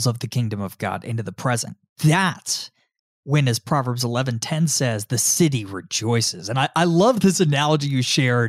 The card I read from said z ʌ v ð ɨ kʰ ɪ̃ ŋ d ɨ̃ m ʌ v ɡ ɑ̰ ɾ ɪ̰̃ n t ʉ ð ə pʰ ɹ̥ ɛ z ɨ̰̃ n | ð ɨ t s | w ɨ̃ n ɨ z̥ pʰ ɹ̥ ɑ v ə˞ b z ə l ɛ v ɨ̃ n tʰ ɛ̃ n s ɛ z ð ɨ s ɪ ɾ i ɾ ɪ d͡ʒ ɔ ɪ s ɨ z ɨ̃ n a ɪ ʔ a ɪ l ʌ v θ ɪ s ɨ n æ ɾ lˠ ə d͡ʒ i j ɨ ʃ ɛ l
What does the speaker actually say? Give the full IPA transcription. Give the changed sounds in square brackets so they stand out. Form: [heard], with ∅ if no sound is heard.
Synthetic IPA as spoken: z ʌ v ð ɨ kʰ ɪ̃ ŋ d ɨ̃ m ʌ v ɡ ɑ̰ ɾ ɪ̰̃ n t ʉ ð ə pʰ ɹ̥ ɛ z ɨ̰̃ n | ð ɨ t s | w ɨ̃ n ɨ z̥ pʰ ɹ̥ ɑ v ə˞ b z ə l ɛ v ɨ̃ n tʰ ɛ̃ n s ɛ z ð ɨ s ɪ ɾ i [ɹ] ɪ d͡ʒ ɔ ɪ s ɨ z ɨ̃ n a ɪ ʔ a ɪ l ʌ v [ð] ɪ s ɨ n æ [∅] lˠ ə d͡ʒ i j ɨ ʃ ɛ [ɹ]